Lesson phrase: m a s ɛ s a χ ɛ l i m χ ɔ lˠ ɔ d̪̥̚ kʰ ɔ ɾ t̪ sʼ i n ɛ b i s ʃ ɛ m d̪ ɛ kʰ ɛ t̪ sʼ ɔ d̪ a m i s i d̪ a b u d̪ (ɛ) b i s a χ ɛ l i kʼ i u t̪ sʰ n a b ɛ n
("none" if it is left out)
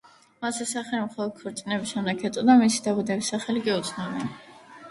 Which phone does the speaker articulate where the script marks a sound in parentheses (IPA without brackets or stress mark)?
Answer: ɛ